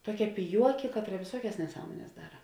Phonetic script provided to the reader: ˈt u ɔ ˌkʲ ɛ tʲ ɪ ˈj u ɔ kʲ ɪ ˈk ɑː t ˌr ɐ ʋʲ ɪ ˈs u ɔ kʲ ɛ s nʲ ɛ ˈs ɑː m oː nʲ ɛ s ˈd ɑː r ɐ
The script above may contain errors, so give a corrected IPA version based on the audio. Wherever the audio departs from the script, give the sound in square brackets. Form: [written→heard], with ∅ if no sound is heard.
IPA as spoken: ˈt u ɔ ˌkʲ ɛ [tʲ→pʲ] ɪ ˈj u ɔ kʲ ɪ ˈk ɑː t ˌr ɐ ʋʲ ɪ ˈs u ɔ kʲ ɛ s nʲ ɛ ˈs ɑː m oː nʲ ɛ s ˈd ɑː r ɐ

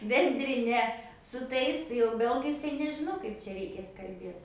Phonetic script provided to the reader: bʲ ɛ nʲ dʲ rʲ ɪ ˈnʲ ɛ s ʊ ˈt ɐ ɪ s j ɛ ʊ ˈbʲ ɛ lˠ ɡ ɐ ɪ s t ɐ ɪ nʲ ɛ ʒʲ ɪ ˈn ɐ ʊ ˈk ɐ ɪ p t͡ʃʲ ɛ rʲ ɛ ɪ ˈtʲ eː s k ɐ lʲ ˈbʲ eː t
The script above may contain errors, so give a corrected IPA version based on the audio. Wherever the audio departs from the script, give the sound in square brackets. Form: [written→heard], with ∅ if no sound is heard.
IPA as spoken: bʲ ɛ nʲ dʲ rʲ ɪ ˈnʲ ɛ s ʊ ˈt ɐ ɪ s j ɛ ʊ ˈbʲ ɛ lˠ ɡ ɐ ɪ s t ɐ ɪ nʲ ɛ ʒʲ ɪ ˈn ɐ ʊ ˈk ɐ ɪ p t͡ʃʲ ɛ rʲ ɛ ɪ [ˈtʲ→ˈkʲ] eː s k ɐ lʲ ˈbʲ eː t

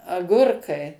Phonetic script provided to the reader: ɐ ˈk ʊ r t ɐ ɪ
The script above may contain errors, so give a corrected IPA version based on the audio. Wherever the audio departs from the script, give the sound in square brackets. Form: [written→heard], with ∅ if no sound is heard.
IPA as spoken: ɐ [ˈk→ˈɡ] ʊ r [t→k] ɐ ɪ

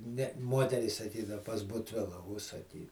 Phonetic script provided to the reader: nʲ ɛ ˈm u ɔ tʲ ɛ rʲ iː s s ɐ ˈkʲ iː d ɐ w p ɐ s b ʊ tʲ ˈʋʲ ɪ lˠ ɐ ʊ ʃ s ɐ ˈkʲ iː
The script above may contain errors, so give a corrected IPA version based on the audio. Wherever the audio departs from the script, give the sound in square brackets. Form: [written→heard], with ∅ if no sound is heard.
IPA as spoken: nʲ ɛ ˈm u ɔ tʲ ɛ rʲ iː s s ɐ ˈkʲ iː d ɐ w p ɐ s b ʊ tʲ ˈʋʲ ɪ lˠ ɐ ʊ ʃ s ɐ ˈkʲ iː

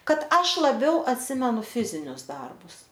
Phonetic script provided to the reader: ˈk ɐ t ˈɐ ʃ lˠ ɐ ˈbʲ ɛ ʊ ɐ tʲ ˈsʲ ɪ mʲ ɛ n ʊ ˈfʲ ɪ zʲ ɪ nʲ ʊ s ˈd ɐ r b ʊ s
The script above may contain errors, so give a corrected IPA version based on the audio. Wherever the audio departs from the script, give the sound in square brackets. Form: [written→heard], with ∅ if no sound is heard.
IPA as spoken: ˈk ɐ t ˈɐ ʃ lˠ ɐ ˈbʲ ɛ ʊ ɐ tʲ ˈsʲ ɪ mʲ ɛ n ʊ ˈfʲ ɪ zʲ ɪ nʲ ʊ s ˈd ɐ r b ʊ s

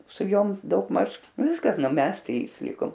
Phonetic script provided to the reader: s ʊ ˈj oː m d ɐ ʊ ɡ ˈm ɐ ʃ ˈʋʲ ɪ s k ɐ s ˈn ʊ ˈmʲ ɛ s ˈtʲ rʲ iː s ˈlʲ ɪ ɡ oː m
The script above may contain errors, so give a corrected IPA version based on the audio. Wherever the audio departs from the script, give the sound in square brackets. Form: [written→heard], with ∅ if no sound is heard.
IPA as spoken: s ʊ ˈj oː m d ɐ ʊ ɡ ˈm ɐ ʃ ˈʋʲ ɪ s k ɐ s ˈn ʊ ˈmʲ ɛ s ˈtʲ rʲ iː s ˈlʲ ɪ [ɡ→k] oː m

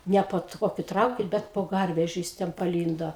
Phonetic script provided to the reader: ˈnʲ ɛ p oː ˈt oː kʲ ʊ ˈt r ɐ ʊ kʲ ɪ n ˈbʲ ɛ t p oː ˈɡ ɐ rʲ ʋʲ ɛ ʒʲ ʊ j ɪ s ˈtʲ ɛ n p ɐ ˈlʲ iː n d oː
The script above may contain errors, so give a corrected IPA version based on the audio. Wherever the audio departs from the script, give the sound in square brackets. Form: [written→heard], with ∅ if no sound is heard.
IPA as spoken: ˈnʲ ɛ p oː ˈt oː kʲ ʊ ˈt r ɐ ʊ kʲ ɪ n ˈbʲ ɛ t p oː ˈɡ ɐ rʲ ʋʲ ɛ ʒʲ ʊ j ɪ s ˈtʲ ɛ n p ɐ ˈlʲ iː n d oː

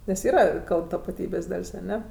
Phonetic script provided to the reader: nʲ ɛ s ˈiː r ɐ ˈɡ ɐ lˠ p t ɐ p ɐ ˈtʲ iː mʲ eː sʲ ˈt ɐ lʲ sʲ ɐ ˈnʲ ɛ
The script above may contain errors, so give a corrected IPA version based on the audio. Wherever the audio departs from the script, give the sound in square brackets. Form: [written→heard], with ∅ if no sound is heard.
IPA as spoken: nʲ ɛ s ˈiː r ɐ [ˈɡ→ˈk] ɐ lˠ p t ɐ p ɐ ˈtʲ iː [mʲ→bʲ] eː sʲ [ˈt→ˈd] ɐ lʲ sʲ ɐ ˈnʲ ɛ

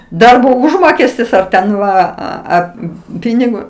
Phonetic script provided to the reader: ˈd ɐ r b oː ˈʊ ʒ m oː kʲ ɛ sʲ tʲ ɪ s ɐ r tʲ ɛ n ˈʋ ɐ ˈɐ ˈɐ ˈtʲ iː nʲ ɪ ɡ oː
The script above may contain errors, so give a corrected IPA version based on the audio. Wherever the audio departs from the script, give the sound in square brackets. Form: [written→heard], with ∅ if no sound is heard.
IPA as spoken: ˈd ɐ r b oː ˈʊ ʒ m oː kʲ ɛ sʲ tʲ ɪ s ɐ r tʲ ɛ n ˈʋ ɐ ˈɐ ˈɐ [ˈtʲ→ˈpʲ] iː nʲ ɪ ɡ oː

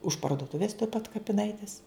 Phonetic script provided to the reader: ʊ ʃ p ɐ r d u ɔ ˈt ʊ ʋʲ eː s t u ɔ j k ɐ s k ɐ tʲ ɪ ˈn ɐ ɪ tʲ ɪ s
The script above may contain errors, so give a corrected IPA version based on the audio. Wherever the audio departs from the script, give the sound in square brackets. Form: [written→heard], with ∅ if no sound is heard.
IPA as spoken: ʊ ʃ p ɐ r d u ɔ ˈt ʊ ʋʲ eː s t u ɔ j [k→p] ɐ [s→t] k ɐ [tʲ→pʲ] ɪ ˈn ɐ ɪ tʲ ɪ s

